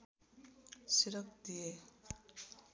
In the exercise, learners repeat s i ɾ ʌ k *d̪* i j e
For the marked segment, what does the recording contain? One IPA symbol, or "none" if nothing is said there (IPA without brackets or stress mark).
d̪